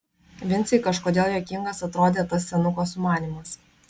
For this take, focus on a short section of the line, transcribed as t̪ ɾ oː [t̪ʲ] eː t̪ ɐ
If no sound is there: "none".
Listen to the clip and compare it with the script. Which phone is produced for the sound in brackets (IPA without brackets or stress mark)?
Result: d̪ʲ